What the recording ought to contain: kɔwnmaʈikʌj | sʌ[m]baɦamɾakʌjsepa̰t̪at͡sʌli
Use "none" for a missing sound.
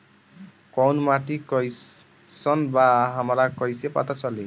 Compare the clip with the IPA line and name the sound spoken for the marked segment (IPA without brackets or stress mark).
n